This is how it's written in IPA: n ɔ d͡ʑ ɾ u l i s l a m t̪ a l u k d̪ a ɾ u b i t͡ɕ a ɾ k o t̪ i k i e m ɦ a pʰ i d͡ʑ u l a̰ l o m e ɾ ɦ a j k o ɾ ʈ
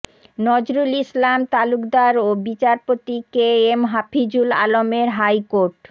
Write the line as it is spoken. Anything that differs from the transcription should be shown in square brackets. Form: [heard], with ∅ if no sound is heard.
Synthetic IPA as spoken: n ɔ d͡ʑ ɾ u l i s l a m t̪ a l u k d̪ a ɾ [o] b i t͡ɕ a ɾ [p] o t̪ i k [e] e m ɦ a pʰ i d͡ʑ u l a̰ l o m e ɾ ɦ a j k o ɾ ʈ

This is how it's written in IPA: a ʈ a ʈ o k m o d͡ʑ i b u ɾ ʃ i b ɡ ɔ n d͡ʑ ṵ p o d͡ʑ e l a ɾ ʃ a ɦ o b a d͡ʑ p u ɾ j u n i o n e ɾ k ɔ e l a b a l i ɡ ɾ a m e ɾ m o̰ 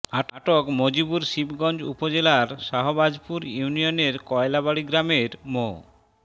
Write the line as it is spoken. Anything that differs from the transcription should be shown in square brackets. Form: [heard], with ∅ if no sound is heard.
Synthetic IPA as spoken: a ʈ a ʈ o k m o d͡ʑ i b u ɾ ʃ i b ɡ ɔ n d͡ʑ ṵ p o d͡ʑ e l a ɾ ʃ a ɦ o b a d͡ʑ p u ɾ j u n i o n e ɾ k ɔ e l a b a [ɽ] i ɡ ɾ a m e ɾ m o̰

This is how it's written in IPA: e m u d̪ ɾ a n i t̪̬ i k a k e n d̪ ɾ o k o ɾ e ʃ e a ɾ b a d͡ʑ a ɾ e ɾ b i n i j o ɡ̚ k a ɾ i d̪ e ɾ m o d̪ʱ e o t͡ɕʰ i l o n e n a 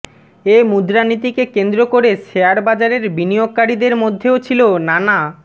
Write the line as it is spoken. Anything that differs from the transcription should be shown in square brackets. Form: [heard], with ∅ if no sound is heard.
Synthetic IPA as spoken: e m u d̪ ɾ a n i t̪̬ i k [e] k e n d̪ ɾ o k o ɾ e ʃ e a ɾ b a d͡ʑ a ɾ e ɾ b i n i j o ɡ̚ k a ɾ i d̪ e ɾ m o [d̪ʱː] e o t͡ɕʰ i l o n [a] n a

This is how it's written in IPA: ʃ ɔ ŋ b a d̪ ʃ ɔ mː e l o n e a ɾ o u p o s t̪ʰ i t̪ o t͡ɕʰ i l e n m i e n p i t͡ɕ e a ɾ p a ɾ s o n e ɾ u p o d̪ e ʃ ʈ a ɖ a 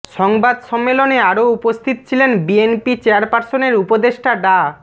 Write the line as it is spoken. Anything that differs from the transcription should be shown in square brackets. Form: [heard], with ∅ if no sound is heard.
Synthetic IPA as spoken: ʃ ɔ ŋ b a d̪ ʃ ɔ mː e l o n e a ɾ o u p o s t̪ʰ i t̪ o t͡ɕʰ i l e n [b] i e n p i t͡ɕ e a ɾ p a ɾ s o n e ɾ u p o d̪ e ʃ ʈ a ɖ a

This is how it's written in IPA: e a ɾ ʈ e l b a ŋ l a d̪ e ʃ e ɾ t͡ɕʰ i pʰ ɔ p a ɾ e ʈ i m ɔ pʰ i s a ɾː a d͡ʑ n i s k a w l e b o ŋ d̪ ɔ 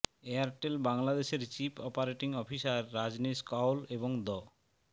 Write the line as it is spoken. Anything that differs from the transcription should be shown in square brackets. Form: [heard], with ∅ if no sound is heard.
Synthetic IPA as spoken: e a ɾ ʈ e l b a ŋ l a d̪ e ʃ e ɾ [t͡ɕ] i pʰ ɔ p a ɾ e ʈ i [ŋ] ɔ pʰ i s a ɾː a d͡ʑ n i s k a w l e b o ŋ d̪ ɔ

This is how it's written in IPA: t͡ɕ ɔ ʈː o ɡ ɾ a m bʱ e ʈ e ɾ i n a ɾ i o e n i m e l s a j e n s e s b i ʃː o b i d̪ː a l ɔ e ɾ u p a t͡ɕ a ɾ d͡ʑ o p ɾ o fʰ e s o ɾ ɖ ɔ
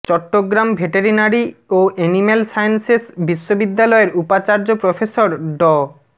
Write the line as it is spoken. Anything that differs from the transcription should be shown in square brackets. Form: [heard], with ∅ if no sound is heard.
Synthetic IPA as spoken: t͡ɕ ɔ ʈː o ɡ ɾ a m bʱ e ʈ e ɾ i n a ɾ i o e n i m e l s a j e n s e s b i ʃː o b i d̪ː a l ɔ e ɾ u p a t͡ɕ a ɾ d͡ʑ o p ɾ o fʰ e s o ɾ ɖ ɔ

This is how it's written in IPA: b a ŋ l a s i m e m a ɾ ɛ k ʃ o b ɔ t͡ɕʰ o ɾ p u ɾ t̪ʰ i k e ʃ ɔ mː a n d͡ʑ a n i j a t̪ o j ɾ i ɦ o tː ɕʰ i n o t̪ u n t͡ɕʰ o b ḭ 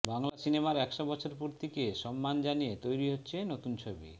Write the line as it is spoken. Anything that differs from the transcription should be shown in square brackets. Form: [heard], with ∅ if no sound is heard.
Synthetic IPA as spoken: b a ŋ l a s i [n] e m a ɾ ɛ k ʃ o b ɔ t͡ɕʰ o ɾ p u ɾ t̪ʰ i k e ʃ ɔ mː a n d͡ʑ a n i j [e] t̪ o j ɾ i ɦ o tː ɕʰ [e] n o t̪ u n t͡ɕʰ o b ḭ

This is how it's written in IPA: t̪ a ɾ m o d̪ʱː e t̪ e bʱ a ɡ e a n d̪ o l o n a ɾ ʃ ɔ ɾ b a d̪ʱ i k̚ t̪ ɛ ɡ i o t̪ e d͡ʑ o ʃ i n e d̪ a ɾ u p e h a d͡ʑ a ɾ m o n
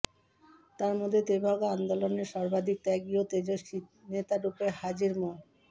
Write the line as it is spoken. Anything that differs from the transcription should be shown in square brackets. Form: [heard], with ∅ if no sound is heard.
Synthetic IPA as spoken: t̪ a ɾ m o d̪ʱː e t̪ e bʱ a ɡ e a n d̪ o l o n [e] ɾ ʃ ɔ ɾ b a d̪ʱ i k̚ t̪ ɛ ɡ i o t̪ e d͡ʑ o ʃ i n e [t̪] a ɾ u p e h a d͡ʑ [i] ɾ m o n

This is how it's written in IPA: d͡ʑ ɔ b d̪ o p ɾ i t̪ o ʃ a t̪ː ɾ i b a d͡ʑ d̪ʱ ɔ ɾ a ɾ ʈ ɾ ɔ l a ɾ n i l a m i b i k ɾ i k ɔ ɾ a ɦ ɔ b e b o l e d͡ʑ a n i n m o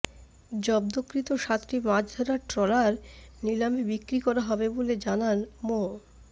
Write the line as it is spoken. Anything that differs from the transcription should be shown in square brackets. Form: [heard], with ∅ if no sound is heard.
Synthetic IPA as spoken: d͡ʑ ɔ b d̪ o [k] ɾ i t̪ o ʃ a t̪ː ɾ i [m] a d͡ʑ d̪ʱ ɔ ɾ a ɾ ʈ ɾ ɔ l a ɾ n i l a m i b i k ɾ i k ɔ ɾ a ɦ ɔ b e b o l e d͡ʑ a n [a] n m o

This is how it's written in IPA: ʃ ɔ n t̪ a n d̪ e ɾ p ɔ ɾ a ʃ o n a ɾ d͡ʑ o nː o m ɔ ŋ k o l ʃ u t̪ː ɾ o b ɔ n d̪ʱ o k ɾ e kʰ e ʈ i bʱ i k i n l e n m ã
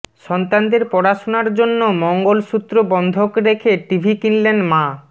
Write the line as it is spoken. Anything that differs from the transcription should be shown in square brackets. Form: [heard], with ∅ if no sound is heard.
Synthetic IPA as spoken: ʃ ɔ n t̪ a n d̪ e ɾ p ɔ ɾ a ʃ o n a ɾ d͡ʑ o nː o m ɔ ŋ [ɡ] o l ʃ u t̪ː ɾ o b ɔ n d̪ʱ o k ɾ e kʰ e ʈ i bʱ i k i n l e n m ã

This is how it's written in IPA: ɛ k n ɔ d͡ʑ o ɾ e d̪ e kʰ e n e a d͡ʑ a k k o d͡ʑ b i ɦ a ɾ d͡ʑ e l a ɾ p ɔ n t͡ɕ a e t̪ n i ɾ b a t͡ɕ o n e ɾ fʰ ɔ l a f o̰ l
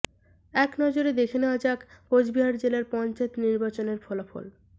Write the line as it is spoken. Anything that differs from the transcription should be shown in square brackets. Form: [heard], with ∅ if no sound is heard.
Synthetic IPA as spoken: ɛ k n ɔ d͡ʑ o ɾ e d̪ e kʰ e n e a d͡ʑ a k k o d͡ʑ b i ɦ a ɾ d͡ʑ e l a ɾ p ɔ n t͡ɕ a e t̪ n i ɾ b a t͡ɕ o n e ɾ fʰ ɔ l a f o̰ l

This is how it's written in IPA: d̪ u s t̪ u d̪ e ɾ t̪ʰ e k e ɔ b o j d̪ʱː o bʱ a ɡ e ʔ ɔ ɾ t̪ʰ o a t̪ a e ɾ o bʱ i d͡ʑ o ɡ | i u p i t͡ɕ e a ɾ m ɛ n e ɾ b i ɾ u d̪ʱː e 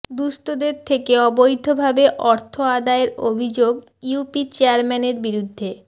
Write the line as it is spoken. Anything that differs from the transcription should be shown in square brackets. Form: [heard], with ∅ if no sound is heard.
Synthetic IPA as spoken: d̪ u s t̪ [o] d̪ e ɾ t̪ʰ e k e ɔ b o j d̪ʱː o bʱ a [b] e ʔ ɔ ɾ t̪ʰ o a [d̪] a e ɾ o bʱ i d͡ʑ o ɡ | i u p i t͡ɕ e a ɾ m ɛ n e ɾ b i ɾ u d̪ʱː e

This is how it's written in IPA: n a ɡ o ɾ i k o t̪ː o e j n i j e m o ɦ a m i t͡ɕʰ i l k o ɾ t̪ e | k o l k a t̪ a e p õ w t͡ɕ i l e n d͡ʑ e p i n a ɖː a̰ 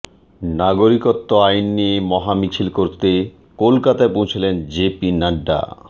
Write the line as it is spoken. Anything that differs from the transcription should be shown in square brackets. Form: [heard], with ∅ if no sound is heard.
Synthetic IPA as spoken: n a ɡ o ɾ i k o t̪ː o [a] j [nː] i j e m [ɔ] ɦ a m i t͡ɕʰ i l k o ɾ t̪ e | k o l k a t̪ a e p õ w [t͡ɕʰ] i l e n d͡ʑ e p i n a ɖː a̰

